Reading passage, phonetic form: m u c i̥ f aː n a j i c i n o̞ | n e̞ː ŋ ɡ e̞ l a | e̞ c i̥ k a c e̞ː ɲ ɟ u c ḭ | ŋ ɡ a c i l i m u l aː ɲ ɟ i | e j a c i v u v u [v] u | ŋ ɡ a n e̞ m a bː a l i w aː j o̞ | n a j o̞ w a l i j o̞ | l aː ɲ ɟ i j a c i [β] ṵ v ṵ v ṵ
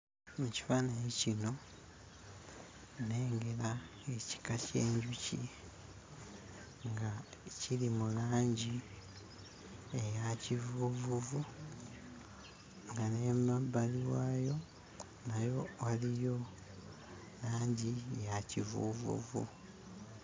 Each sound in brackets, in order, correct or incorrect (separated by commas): correct, incorrect